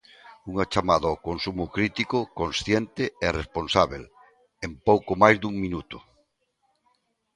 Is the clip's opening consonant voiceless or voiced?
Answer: voiced